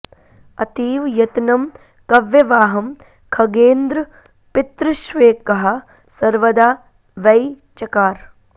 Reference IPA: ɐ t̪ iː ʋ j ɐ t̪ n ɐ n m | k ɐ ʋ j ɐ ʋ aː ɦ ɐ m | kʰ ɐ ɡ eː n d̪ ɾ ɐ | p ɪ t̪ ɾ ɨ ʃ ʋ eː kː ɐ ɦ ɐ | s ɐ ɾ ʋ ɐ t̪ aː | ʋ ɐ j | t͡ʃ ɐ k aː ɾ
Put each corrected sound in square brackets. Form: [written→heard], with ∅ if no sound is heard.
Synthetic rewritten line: ɐ t̪ iː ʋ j ɐ t̪ n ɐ [n→∅] m | k ɐ ʋ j ɐ ʋ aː ɦ ɐ m | kʰ ɐ ɡ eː n d̪ ɾ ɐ | p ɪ t̪ ɾ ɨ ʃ ʋ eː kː ɐ ɦ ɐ | s ɐ ɾ ʋ ɐ [t̪→d̪] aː | ʋ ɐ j | t͡ʃ ɐ k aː ɾ